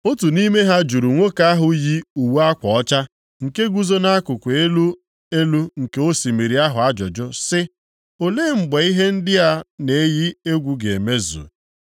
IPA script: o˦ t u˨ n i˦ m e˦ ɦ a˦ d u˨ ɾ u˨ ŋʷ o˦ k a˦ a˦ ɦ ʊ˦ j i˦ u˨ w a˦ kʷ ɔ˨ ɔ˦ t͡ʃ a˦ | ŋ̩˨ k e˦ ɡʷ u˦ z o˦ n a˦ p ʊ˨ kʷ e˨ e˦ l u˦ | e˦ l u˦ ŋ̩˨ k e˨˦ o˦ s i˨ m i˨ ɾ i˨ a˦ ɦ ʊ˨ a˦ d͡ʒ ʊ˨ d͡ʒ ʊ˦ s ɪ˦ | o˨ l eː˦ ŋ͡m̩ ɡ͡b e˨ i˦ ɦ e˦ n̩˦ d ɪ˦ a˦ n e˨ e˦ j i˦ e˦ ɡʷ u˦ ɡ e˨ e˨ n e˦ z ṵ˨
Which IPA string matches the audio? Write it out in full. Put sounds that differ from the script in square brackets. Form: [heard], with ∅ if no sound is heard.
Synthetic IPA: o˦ t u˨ n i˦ m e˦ ɦ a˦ [d͡ʒ] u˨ ɾ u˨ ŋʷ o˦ k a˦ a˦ ɦ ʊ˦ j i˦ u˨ w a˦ kʷ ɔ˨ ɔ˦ t͡ʃ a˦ | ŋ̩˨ k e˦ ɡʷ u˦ z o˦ n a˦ [k] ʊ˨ kʷ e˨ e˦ l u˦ | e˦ l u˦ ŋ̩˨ k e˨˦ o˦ s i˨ m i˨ ɾ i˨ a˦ ɦ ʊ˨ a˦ d͡ʒ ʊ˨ d͡ʒ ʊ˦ s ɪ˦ | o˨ l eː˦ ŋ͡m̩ ɡ͡b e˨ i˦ ɦ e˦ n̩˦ d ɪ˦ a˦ n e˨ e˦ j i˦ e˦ ɡʷ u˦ ɡ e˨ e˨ [m] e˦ z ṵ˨

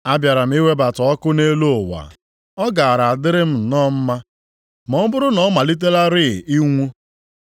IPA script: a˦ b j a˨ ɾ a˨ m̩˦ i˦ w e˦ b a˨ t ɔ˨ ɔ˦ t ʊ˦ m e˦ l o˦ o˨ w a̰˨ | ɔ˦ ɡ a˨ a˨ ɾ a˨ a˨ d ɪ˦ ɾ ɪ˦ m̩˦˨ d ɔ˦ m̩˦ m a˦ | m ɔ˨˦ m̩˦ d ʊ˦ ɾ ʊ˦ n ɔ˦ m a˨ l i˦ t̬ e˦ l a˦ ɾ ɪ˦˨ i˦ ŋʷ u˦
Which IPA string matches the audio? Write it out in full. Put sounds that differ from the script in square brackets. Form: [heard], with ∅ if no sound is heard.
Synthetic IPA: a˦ b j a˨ ɾ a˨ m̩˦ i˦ w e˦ b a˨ t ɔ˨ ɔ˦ [k] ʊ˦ [n] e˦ l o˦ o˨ w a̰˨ | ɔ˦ ɡ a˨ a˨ ɾ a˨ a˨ d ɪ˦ ɾ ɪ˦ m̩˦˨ [n] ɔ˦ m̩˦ m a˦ | m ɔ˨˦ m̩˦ [b] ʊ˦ ɾ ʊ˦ n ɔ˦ m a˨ l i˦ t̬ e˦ l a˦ ɾ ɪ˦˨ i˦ ŋʷ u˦

